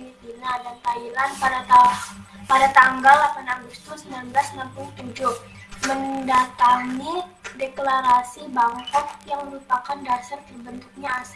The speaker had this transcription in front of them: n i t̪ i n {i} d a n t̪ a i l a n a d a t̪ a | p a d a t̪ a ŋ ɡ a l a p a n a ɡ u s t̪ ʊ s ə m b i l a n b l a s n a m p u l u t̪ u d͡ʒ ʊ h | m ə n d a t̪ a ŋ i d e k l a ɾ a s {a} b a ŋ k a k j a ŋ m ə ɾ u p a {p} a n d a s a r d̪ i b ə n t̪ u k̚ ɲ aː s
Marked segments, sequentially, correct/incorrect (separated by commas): incorrect, incorrect, incorrect